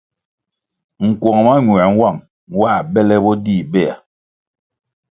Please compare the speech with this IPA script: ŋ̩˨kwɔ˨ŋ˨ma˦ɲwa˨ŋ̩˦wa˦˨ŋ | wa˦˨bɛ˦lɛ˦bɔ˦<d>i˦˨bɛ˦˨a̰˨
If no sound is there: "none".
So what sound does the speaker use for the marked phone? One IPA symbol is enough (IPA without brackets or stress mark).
d